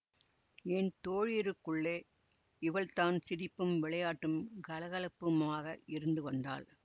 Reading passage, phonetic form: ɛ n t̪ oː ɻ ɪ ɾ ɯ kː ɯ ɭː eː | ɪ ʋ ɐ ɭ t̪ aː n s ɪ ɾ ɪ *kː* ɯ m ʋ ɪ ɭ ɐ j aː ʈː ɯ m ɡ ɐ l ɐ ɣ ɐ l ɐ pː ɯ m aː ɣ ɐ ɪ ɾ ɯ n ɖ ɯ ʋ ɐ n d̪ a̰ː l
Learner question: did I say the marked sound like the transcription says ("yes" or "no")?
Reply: no